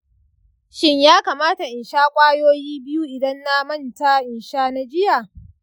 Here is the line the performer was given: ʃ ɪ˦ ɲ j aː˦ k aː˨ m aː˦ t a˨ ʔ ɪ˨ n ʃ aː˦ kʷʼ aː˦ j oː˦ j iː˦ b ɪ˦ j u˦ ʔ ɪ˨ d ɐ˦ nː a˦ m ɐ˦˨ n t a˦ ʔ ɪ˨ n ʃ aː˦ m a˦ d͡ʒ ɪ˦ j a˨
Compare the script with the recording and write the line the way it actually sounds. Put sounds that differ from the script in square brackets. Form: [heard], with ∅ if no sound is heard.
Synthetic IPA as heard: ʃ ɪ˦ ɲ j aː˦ k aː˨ m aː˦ t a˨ ʔ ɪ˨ n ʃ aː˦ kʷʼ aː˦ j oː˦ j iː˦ b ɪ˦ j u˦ ʔ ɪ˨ d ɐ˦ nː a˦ m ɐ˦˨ n t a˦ ʔ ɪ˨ n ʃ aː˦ [n] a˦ d͡ʒ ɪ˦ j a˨